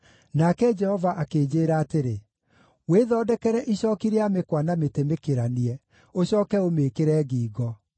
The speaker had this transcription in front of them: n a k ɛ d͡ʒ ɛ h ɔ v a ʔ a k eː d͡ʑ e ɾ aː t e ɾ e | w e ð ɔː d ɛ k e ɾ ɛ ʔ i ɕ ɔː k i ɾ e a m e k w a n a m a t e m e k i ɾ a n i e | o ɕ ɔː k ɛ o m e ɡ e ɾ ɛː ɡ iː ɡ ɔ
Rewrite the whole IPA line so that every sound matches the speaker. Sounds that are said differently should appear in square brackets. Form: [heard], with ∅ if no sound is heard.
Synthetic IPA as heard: n a k ɛ d͡ʒ ɛ h ɔ v a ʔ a k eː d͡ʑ e ɾ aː t e ɾ e | w e ð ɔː d ɛ k [ɛ] ɾ ɛ ʔ i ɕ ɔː k i ɾ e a m e k w a n a m [e] t e m e k [e] ɾ a n i [ɛ] | o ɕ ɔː k ɛ o m e [k] e ɾ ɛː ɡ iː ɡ ɔ